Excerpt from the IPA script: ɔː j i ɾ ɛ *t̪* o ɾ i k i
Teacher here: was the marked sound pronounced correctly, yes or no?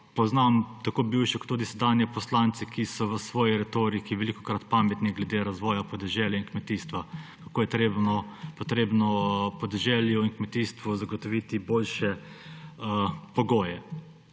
yes